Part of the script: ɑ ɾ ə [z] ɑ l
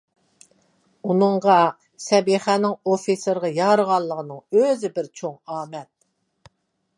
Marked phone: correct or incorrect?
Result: incorrect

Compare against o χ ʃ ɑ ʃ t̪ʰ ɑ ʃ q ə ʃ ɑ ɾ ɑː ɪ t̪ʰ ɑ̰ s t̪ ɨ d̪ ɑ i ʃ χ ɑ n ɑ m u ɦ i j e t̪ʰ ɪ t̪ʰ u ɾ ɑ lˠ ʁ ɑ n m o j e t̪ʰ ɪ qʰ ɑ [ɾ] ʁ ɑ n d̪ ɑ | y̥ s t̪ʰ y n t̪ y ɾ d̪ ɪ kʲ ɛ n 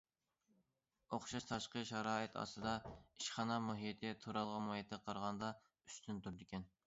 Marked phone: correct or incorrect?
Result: correct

